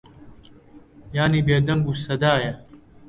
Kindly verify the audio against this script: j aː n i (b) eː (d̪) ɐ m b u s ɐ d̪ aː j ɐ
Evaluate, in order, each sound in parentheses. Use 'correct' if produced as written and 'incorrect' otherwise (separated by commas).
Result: correct, correct